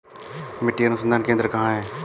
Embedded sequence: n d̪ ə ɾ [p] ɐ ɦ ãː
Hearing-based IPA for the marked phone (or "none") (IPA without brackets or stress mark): k